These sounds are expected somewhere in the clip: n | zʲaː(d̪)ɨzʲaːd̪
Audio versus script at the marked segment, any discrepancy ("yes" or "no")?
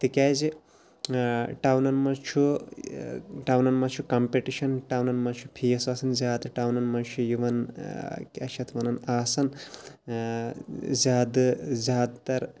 no